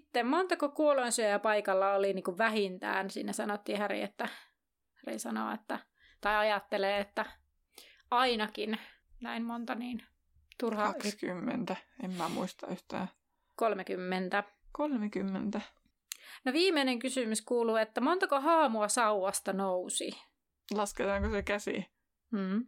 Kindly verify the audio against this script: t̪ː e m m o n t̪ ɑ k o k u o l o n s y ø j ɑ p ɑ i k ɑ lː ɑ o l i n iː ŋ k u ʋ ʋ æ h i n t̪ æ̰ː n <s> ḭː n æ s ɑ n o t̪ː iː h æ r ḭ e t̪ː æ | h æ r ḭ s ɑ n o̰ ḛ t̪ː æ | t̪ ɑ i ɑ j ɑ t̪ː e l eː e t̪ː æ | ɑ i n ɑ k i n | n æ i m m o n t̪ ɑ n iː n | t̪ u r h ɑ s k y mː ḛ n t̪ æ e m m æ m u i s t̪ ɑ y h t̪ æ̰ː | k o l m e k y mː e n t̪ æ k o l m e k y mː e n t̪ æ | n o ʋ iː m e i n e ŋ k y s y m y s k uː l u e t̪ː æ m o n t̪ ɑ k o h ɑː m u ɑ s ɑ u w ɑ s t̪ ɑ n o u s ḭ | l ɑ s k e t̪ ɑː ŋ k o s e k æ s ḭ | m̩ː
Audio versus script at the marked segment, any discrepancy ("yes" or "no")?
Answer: no